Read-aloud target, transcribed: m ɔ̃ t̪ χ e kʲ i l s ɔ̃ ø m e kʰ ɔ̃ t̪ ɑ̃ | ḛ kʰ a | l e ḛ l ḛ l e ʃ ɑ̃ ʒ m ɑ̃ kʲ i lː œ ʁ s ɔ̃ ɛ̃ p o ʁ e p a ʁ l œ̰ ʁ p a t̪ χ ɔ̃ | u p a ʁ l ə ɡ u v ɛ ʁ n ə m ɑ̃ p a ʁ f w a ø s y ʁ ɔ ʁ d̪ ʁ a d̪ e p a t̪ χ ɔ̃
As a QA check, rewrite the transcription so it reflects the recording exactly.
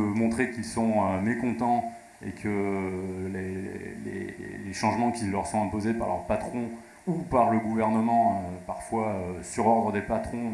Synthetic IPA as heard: m ɔ̃ t̪ χ e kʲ i l s ɔ̃ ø m e k ɔ̃ t̪ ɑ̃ | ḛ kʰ ə | l e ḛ l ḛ l e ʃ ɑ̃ ʒ m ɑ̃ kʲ i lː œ ʁ s ɔ̃ ɛ̃ p o z e p a ʁ l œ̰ ʁ p a t̪ χ ɔ̃ | u p a ʁ l ə ɡ u v ɛ ʁ n ə m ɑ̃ p a ʁ f w a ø s y ʁ ɔ ʁ d̪ ʁ ə d̪ e p a t̪ χ ɔ̃